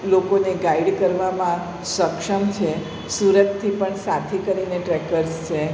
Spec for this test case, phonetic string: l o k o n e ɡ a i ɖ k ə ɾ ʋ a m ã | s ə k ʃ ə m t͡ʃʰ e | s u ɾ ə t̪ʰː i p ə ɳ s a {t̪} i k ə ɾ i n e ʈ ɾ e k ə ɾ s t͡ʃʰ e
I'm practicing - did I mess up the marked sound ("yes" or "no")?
yes